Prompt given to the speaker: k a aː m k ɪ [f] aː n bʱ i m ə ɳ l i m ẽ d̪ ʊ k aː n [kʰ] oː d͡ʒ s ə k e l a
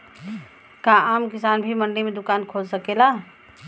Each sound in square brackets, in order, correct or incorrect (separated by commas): incorrect, correct